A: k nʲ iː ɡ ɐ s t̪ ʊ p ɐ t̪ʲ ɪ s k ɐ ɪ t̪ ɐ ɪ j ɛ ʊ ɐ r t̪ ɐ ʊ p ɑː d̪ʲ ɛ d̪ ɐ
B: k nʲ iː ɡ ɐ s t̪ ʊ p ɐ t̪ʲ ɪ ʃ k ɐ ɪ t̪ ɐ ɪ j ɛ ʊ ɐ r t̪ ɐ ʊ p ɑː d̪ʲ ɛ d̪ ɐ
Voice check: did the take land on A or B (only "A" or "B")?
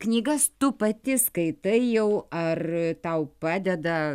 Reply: A